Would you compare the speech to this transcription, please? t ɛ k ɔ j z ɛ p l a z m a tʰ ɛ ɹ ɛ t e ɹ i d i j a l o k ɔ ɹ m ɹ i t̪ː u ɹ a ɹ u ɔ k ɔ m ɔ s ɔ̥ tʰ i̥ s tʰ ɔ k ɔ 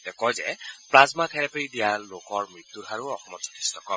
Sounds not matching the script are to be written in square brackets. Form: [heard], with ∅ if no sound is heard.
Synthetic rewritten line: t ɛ k ɔ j z ɛ p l a z m a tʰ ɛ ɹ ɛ [p] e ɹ i d i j a l o k ɔ ɹ m ɹ i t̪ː u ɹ a ɹ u ɔ [x] ɔ m ɔ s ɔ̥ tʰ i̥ s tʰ ɔ k ɔ

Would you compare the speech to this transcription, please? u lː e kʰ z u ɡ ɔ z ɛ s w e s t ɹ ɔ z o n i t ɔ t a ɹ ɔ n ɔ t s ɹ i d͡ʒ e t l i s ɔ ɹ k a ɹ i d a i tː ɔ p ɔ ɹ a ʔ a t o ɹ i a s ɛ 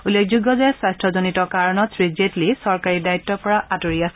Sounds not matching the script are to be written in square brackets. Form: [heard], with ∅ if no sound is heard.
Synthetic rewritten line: u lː e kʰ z u ɡ ɔ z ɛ s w [a] s t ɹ ɔ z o n i t ɔ [k] a ɹ ɔ n ɔ t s ɹ i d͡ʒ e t l i s ɔ ɹ k a ɹ i d a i tː ɔ p ɔ ɹ a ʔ a t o ɹ i a s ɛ

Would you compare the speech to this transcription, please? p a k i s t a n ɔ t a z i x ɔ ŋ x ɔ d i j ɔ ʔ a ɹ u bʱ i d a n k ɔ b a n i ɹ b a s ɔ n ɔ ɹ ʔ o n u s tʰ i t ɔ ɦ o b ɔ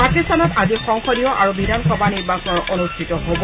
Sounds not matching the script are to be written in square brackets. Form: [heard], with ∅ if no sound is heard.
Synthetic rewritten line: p a k i s t a n ɔ t a z i x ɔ ŋ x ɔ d i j ɔ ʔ a ɹ u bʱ i d a n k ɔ b a n i ɹ b a s ɔ n ɔ ɹ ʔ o n u s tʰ i t ɔ ɦ o b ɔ

